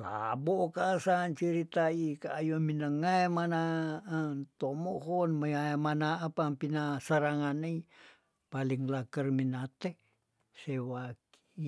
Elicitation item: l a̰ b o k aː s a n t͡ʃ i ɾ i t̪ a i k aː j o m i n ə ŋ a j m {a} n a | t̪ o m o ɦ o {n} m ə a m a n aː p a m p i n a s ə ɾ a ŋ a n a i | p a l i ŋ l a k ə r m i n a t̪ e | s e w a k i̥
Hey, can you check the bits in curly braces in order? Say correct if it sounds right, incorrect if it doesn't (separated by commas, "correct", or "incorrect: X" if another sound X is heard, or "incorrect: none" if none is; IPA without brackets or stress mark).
correct, correct